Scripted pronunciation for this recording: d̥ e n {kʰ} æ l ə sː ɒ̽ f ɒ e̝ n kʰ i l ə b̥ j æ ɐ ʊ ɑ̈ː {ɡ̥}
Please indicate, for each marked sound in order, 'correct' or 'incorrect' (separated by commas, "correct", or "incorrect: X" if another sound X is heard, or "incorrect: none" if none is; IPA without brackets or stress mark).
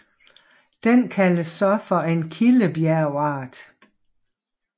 correct, incorrect: d̥